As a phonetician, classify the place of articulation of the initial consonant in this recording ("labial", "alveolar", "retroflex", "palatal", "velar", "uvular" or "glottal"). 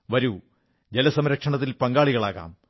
labial